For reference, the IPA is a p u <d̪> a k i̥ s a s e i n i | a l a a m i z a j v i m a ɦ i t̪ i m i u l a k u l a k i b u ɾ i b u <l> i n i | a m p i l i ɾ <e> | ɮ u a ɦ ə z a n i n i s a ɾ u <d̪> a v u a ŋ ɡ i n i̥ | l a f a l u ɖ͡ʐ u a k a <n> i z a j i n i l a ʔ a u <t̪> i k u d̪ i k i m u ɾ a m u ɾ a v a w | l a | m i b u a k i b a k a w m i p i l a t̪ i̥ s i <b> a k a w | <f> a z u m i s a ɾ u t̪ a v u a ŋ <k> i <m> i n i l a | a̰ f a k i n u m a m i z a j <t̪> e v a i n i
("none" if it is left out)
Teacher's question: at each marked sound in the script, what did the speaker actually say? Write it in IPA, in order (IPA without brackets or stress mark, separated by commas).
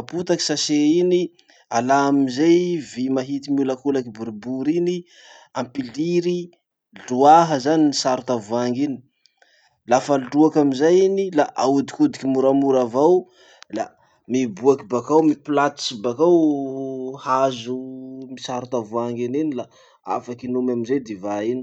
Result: t̪, ɾ, i, t̪, m, d̪, b, h, ɡ, n, d̪